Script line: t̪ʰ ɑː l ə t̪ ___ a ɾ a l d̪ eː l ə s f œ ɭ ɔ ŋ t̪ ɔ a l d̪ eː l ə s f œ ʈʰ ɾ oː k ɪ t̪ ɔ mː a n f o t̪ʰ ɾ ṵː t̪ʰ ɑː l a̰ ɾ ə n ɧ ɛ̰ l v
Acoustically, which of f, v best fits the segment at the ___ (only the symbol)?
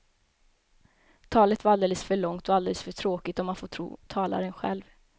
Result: v